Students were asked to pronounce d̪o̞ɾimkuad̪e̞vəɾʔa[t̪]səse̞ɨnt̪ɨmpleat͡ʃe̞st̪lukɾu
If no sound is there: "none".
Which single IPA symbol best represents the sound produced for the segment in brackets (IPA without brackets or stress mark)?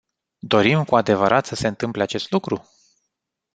t̪